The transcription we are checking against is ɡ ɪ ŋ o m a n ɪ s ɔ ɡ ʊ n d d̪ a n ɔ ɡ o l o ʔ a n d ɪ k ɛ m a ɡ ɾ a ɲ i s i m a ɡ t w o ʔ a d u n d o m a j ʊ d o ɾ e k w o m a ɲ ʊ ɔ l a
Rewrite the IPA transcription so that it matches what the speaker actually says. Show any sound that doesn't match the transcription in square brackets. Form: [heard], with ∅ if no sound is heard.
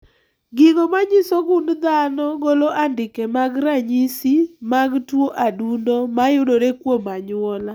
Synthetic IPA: ɡ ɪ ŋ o m a [ɲ] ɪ s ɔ ɡ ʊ n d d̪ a n ɔ ɡ o l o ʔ a n d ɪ k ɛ m a ɡ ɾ a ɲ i s i m a ɡ t w o ʔ a d u n d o m a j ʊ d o ɾ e k w o m a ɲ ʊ ɔ l a